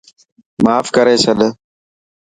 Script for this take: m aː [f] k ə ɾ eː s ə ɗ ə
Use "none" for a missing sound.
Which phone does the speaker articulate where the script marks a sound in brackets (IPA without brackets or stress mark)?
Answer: f